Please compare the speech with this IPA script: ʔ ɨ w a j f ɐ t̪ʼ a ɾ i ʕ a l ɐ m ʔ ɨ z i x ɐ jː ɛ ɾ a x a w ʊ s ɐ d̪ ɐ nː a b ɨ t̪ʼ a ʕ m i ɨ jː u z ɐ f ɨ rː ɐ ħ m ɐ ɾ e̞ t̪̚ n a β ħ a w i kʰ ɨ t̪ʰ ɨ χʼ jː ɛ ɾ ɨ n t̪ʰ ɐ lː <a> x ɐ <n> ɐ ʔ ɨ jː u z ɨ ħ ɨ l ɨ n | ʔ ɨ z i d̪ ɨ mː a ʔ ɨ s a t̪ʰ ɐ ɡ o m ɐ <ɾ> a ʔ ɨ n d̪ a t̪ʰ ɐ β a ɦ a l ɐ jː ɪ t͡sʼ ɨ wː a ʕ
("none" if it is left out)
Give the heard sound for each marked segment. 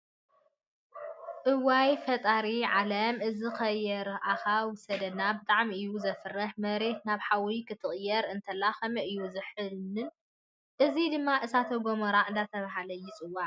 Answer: a, m, ɾ

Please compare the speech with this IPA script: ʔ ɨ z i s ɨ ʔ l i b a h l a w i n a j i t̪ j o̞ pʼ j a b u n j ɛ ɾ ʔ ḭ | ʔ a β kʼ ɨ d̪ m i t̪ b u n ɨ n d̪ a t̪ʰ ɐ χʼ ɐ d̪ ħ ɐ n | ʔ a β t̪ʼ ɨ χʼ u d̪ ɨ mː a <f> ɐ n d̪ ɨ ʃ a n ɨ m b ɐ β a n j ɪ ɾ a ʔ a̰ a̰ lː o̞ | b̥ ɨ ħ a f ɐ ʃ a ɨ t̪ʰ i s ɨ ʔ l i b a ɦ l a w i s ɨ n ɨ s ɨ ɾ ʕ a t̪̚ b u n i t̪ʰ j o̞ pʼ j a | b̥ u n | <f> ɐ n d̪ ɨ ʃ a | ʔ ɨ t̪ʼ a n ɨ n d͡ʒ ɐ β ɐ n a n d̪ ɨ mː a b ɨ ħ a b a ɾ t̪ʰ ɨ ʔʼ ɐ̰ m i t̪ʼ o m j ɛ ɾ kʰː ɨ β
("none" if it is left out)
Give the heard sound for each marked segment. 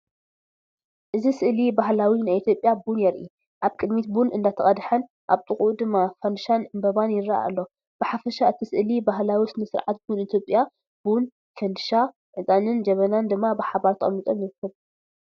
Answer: f, f

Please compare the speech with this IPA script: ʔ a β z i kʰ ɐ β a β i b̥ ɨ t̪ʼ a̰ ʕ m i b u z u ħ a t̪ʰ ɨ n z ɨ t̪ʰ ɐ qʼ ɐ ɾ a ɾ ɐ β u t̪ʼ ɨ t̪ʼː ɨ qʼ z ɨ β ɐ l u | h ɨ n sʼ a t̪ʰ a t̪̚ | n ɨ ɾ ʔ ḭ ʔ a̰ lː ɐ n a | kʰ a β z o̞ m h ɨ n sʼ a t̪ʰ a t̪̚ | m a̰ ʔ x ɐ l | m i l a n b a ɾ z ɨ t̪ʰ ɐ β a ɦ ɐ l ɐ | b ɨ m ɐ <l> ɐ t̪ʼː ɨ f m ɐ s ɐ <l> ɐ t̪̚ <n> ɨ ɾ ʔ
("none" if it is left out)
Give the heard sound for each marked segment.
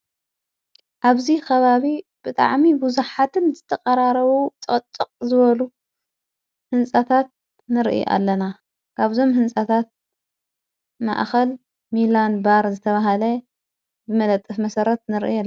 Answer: l, ɾ, n

